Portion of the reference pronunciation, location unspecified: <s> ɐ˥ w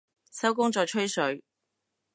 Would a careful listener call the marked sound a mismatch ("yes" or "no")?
no